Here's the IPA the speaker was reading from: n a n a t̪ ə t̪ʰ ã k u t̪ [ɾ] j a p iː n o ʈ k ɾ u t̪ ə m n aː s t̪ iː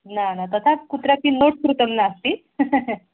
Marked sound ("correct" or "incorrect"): correct